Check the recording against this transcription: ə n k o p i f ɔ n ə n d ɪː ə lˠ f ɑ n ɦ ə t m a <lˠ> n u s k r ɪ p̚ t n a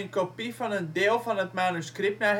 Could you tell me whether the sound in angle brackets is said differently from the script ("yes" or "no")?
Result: yes